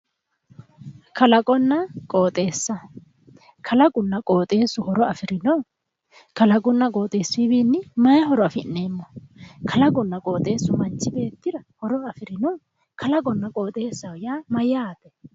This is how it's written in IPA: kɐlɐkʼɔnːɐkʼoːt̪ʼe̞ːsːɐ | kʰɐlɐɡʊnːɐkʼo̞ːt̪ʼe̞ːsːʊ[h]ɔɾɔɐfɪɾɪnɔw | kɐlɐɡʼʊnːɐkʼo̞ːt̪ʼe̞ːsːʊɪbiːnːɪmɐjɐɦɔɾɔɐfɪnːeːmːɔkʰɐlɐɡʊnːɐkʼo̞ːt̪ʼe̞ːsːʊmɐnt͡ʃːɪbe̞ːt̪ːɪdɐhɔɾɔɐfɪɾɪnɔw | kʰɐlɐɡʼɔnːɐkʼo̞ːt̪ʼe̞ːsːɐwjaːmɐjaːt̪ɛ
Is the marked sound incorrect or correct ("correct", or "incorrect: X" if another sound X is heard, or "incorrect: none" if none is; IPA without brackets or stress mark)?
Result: correct